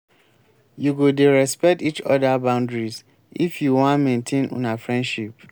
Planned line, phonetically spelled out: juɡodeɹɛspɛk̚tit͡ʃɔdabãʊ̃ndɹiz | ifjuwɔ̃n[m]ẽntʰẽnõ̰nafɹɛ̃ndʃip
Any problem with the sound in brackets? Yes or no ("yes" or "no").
no